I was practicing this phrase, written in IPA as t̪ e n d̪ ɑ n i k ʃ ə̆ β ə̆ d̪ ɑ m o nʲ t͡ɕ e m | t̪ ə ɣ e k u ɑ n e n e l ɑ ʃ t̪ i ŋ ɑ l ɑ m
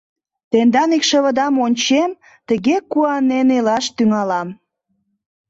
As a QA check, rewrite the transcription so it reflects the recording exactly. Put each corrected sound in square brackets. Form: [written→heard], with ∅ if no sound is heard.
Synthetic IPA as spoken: t̪ e n d̪ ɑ n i k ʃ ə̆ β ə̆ d̪ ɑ m o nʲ t͡ɕ e m | t̪ ə ɣ e k u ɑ n e n e l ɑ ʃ t̪ [i→y] ŋ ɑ l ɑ m